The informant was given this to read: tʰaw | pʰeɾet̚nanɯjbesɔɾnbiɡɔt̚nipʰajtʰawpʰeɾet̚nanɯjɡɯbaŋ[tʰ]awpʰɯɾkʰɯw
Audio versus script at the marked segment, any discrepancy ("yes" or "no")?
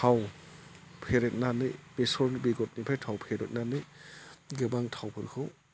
no